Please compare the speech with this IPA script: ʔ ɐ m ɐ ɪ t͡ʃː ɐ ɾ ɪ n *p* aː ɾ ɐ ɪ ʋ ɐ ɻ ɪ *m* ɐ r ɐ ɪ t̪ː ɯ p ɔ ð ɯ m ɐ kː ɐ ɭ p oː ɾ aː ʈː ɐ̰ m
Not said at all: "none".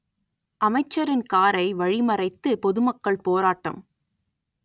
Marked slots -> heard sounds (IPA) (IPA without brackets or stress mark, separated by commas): k, m